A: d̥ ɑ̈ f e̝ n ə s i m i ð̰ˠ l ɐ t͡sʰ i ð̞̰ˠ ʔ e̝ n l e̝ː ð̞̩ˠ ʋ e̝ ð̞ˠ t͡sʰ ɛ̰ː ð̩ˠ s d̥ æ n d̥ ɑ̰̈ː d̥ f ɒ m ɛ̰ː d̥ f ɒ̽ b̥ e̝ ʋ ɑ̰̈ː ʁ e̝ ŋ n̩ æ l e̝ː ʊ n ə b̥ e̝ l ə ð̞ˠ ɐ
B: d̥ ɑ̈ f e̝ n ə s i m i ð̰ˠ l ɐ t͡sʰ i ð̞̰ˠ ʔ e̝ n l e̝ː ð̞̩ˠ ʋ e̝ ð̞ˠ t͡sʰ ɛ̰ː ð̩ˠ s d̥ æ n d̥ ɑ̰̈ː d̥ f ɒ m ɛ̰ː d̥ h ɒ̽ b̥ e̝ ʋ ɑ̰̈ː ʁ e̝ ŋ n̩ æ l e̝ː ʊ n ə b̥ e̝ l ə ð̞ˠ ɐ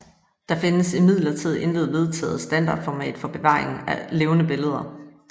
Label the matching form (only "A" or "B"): A